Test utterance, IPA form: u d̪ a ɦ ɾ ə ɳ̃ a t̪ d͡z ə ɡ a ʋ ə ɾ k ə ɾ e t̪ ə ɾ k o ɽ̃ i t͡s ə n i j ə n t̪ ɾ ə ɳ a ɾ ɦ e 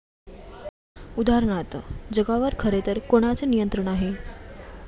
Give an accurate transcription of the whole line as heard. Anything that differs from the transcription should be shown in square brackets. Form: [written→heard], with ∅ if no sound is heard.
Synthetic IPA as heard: u d̪ a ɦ ɾ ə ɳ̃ a t̪ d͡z ə ɡ a ʋ ə ɾ [k→kʰ] ə ɾ e t̪ ə ɾ k o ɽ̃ [i→a] t͡s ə n i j ə n t̪ ɾ ə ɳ a [ɾ→∅] ɦ e

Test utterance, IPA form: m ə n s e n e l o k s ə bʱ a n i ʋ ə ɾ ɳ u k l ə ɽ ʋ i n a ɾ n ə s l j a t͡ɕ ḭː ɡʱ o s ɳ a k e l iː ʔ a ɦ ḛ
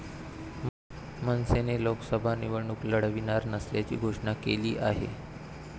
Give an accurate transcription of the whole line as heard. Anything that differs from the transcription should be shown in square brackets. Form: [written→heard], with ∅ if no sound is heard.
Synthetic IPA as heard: m ə n s e n e l o k s ə bʱ a n i ʋ ə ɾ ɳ u k l ə ɽ ʋ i n a ɾ n ə s l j a t͡ɕ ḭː ɡʱ o [s→ʂ] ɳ a k e l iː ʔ a ɦ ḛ

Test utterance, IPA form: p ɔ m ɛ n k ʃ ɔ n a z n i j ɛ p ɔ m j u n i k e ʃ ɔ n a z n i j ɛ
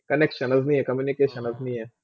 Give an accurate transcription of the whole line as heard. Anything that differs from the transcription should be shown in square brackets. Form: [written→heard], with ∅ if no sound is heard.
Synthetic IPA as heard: [p→k] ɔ [m→n] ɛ [n→∅] k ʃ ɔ n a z n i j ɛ [p→k] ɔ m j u n i k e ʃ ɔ n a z n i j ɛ

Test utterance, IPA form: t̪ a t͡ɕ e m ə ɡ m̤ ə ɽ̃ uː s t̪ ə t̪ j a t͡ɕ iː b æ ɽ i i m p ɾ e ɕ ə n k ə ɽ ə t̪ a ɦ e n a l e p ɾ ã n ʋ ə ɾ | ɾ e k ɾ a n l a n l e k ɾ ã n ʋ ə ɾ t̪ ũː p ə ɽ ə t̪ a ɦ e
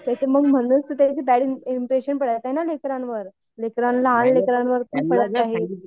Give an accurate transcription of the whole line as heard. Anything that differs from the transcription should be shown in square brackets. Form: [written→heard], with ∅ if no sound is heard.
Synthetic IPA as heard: t̪ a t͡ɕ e m ə ɡ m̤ ə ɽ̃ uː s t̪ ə t̪ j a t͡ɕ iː b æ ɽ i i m p ɾ e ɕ ə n [k→p] ə ɽ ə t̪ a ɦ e n a l e [p→k] ɾ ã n ʋ ə ɾ | [ɾ→l] e k ɾ a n l a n l e k ɾ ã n ʋ ə ɾ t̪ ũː p ə ɽ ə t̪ a ɦ e

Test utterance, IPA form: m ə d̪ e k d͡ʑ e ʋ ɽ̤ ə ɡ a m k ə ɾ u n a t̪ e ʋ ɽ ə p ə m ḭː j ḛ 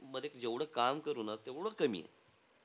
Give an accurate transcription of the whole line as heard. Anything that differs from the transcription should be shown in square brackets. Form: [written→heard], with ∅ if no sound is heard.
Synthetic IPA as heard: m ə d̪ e k d͡ʑ e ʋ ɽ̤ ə [ɡ→k] a m k ə ɾ u n a t̪ e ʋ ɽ ə [p→k] ə m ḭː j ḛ

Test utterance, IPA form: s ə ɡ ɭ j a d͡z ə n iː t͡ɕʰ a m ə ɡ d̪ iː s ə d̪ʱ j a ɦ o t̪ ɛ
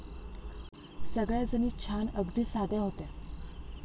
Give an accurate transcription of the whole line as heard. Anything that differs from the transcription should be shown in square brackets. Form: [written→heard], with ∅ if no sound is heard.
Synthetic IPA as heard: s ə ɡ ɭ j a d͡z ə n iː t͡ɕʰ a [m→n] ə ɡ d̪ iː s [ə→a] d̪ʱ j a ɦ o t̪ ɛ

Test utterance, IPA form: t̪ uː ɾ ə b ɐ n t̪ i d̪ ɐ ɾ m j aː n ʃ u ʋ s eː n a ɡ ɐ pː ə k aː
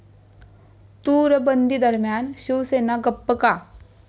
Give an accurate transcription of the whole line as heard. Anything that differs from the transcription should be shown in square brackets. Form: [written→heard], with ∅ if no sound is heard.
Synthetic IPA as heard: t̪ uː ɾ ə b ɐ n [t̪→d̪] i d̪ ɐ ɾ m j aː n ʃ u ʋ s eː n a ɡ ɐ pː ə k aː

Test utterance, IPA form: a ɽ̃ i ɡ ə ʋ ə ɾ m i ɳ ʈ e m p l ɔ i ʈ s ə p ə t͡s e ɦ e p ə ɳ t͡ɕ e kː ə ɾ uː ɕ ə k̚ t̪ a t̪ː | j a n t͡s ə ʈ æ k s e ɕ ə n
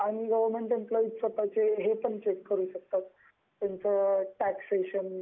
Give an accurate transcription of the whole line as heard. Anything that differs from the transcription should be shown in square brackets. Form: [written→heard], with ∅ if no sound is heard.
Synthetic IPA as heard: a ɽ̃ i ɡ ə ʋ ə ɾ m [i→e] ɳ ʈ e m p l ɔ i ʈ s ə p [ə→a] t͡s e ɦ e p ə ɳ t͡ɕ e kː ə ɾ uː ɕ ə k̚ t̪ a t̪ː | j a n t͡s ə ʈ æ k s e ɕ ə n

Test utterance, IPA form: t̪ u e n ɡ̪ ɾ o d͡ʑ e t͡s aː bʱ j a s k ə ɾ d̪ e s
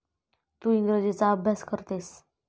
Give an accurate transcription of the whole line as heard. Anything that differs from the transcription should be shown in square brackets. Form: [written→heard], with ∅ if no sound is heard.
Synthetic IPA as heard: t̪ u [e→i] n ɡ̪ ɾ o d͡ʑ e t͡s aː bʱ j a s k ə ɾ [d̪→t̪] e s

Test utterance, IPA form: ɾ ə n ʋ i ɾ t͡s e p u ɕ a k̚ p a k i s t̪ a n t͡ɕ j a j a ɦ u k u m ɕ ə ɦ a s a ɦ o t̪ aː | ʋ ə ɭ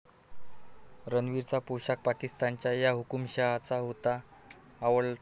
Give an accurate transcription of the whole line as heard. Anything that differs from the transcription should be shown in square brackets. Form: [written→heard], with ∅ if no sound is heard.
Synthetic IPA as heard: ɾ ə n ʋ i ɾ t͡s [e→a] p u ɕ a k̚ p a k i s t̪ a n t͡ɕ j a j a ɦ u k u m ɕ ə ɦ a [s→t͡s] a ɦ o t̪ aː | ʋ ə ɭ

